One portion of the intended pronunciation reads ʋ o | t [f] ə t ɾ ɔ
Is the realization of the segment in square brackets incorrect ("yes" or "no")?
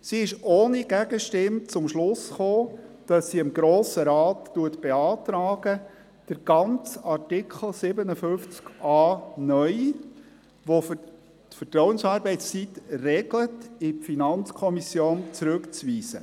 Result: no